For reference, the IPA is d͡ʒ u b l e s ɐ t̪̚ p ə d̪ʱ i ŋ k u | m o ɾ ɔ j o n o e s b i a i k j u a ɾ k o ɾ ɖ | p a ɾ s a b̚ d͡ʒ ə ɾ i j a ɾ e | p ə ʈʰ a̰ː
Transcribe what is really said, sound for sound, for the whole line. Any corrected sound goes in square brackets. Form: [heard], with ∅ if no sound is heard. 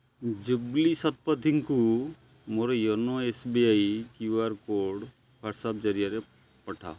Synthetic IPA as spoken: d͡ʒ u b l [i] s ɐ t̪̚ p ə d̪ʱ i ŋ k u | m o ɾ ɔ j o n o e s b i a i k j u a ɾ k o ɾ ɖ | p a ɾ s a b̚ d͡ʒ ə ɾ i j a ɾ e | p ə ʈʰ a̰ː